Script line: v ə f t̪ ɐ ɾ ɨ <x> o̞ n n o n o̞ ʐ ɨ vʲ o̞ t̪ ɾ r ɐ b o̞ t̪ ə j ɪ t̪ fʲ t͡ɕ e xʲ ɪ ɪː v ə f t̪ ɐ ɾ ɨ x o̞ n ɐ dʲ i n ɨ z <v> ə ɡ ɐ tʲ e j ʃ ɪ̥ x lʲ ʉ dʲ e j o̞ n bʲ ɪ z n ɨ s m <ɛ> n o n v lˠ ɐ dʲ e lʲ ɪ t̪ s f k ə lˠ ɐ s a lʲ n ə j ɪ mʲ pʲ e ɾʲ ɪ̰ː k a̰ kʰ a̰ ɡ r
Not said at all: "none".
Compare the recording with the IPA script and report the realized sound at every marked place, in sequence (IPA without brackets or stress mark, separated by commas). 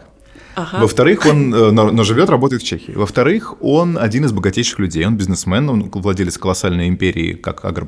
x, b, ɛ